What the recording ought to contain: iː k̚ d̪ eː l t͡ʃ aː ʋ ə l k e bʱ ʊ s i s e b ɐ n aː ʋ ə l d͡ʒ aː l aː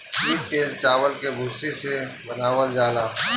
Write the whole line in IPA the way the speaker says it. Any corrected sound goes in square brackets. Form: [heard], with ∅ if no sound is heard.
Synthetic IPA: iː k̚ [t̪] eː l t͡ʃ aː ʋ ə l k e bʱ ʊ s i s e b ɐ n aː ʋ ə l d͡ʒ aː l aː

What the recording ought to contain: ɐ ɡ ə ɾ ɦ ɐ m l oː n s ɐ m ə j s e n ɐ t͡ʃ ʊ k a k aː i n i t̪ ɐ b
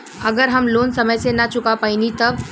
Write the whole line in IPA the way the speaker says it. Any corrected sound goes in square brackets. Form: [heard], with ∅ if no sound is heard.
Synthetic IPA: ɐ ɡ ə ɾ ɦ ɐ m l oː n s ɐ m ə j s e n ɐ t͡ʃ ʊ k a [p] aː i n i t̪ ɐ b

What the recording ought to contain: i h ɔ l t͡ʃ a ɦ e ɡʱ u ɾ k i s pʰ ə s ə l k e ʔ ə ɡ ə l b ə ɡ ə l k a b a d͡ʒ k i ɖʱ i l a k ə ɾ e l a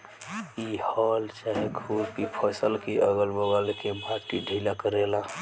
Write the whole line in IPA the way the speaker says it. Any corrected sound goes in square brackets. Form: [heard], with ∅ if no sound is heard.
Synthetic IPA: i h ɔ l t͡ʃ a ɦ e ɡʱ u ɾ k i [∅] pʰ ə s ə l k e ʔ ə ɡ ə l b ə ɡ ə l k [e] b a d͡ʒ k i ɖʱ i l a k ə ɾ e l a

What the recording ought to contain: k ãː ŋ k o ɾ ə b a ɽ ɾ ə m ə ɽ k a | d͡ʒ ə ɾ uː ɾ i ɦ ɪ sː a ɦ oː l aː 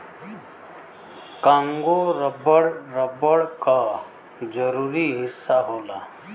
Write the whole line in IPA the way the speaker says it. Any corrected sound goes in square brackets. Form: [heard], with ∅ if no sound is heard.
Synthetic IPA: k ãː ŋ [ɡ] o ɾ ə b [ə] ɽ ɾ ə [b] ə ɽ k a | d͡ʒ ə ɾ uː ɾ i ɦ ɪ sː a ɦ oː l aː

